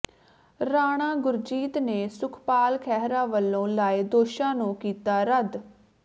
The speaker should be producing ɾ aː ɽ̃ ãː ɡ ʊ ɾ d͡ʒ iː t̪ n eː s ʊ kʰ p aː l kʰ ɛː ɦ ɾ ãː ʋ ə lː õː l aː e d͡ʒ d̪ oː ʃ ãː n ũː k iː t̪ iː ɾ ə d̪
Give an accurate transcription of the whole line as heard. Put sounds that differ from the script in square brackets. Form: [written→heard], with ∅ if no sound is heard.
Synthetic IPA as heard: ɾ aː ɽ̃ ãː ɡ ʊ ɾ d͡ʒ iː t̪ n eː s ʊ kʰ p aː l kʰ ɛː ɦ ɾ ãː ʋ ə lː õː l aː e [d͡ʒ→∅] d̪ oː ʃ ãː n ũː k iː t̪ [iː→aː] ɾ ə d̪